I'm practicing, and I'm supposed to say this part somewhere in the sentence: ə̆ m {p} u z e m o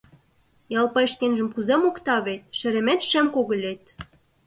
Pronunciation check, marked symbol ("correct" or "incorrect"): incorrect